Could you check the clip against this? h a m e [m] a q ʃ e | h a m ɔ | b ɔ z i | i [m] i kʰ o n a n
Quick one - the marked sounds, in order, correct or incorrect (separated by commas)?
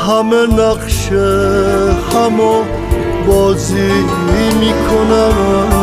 incorrect, correct